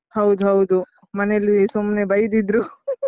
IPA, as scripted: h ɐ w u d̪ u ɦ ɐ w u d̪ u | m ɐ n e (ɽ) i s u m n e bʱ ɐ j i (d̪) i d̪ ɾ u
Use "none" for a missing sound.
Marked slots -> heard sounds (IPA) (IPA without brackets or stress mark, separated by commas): l, d̪